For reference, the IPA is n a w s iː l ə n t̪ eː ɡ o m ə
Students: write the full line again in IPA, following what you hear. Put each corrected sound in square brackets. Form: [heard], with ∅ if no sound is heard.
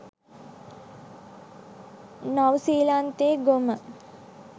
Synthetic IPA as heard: n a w s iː l [a] n t̪ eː ɡ o m ə